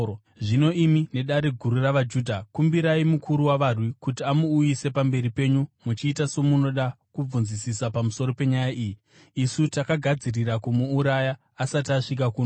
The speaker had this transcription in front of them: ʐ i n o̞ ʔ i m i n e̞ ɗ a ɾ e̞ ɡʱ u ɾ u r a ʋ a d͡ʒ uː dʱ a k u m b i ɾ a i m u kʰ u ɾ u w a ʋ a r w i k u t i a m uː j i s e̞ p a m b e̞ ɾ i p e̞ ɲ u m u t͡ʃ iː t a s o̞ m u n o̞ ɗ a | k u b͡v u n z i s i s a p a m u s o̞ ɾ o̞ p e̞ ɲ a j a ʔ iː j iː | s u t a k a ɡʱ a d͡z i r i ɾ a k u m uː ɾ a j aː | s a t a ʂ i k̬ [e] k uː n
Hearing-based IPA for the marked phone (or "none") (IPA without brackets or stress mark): a